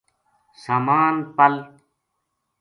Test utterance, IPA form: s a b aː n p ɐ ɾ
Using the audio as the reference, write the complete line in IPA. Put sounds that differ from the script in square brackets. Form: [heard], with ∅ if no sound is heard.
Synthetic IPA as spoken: s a [m] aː n p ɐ [l]

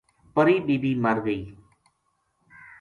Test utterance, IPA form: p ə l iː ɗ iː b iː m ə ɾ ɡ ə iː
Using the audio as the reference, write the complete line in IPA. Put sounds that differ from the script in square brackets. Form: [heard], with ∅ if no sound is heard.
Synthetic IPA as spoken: p ə [ɾ] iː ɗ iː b iː m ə ɾ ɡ ə iː

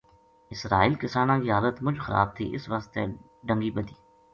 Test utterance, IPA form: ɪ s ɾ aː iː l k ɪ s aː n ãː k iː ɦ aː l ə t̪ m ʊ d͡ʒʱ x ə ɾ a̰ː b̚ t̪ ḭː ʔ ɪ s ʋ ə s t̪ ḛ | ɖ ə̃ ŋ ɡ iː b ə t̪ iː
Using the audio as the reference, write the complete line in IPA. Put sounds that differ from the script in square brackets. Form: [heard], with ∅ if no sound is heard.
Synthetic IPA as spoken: ɪ s ɾ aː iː l k ɪ s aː n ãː k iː ɦ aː l ə t̪ m ʊ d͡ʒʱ x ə ɾ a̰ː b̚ [t̪ʰ] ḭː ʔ ɪ s ʋ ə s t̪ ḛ | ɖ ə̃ ŋ ɡ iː b ə [d̪] iː

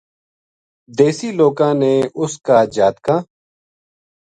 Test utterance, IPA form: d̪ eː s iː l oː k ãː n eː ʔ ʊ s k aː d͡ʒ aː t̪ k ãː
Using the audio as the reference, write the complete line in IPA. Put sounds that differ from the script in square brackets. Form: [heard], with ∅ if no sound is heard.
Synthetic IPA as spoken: d̪ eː s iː l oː k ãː n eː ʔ ʊ s k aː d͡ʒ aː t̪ k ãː

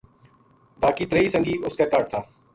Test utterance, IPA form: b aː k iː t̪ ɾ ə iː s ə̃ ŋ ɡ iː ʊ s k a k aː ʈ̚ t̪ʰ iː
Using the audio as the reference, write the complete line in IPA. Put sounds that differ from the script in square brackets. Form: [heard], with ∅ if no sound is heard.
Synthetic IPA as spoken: b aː k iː t̪ ɾ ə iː s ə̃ ŋ ɡ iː ʊ s k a k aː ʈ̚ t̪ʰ [aː]

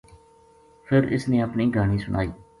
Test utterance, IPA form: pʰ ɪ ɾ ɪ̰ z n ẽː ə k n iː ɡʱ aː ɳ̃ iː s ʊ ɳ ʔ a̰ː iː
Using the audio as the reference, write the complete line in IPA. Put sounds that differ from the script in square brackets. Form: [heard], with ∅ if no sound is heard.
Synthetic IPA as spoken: pʰ ɪ ɾ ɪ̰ [s] n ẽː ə [p] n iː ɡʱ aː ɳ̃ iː s ʊ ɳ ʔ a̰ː iː

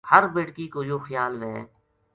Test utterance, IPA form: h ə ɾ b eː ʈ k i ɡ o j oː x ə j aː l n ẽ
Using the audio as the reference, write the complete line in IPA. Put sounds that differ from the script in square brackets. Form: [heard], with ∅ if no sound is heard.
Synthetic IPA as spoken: h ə ɾ b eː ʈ k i [k] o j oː x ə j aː l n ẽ

